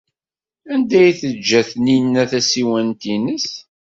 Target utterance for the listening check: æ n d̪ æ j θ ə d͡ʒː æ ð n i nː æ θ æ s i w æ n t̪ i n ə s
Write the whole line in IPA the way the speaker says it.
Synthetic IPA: æ n d̪ æ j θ ə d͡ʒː æ θ n i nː æ θ æ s i w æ n t̪ i n ə s